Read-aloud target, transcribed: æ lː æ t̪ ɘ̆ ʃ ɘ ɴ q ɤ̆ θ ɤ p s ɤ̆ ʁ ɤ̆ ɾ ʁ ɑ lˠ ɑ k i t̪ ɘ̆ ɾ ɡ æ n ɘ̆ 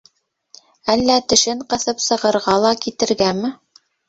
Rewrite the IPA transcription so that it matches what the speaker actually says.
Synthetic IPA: æ lː æ t̪ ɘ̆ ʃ ɘ ɴ q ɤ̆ θ ɤ p s ɤ̆ ʁ ɤ̆ ɾ ʁ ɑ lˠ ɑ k i t̪ ɘ̆ ɾ ɡ æ m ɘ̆

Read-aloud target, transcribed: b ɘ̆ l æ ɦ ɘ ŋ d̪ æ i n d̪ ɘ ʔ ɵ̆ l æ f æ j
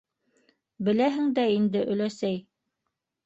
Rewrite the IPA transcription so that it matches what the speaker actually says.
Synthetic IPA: b ɘ̆ l æ ɦ ɘ ŋ d̪ æ i n d̪ ɘ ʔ ɵ̆ l æ s æ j

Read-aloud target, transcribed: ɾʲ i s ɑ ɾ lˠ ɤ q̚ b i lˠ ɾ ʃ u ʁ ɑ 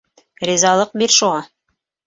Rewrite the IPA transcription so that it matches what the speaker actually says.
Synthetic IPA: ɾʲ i z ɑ lˠ ɤ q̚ b i ɾ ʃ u ʁ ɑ

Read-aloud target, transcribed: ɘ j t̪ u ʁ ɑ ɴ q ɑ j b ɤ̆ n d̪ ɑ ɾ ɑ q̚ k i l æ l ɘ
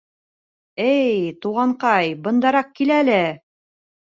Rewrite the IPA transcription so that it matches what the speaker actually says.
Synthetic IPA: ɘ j t̪ u ʁ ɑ ɴ q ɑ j b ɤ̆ n d̪ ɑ ɾ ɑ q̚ k i l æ l ɘ

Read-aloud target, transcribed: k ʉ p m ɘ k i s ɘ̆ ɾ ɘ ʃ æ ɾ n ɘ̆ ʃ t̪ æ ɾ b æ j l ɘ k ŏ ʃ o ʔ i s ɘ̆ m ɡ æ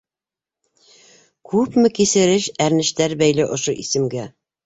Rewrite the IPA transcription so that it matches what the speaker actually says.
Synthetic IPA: k ʉ p m ɘ k i s ɘ̆ ɾ ɘ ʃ æ ɾ n ɘ̆ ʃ t̪ æ ɾ b æ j l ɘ ʔ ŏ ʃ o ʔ i s ɘ̆ m ɡ æ

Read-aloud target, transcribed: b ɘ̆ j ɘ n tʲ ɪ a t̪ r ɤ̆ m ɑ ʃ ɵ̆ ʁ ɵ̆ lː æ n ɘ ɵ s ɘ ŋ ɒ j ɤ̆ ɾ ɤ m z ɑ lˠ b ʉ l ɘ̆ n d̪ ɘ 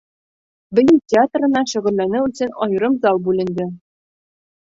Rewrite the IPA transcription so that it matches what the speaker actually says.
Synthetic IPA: b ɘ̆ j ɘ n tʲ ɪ a t̪ r ɤ̆ n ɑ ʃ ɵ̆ ʁ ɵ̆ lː æ n ɘ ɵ s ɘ n ɒ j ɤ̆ ɾ ɤ m z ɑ lˠ b ʉ l ɘ̆ n d̪ ɘ

